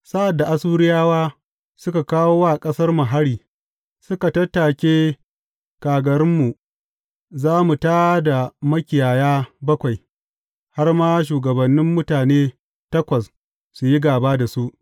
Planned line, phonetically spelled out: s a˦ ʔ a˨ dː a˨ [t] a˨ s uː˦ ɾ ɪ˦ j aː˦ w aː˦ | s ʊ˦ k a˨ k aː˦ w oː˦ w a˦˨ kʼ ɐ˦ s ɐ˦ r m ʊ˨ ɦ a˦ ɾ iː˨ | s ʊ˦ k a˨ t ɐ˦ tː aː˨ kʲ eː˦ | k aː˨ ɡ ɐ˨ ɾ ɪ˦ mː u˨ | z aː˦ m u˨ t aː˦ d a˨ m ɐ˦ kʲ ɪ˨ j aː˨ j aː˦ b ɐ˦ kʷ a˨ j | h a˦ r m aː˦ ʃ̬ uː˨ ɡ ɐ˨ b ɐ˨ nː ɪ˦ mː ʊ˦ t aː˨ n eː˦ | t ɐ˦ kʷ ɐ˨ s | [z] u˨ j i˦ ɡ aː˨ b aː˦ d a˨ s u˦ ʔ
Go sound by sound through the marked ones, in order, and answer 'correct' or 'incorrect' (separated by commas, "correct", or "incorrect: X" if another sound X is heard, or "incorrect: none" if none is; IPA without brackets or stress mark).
incorrect: ʔ, incorrect: s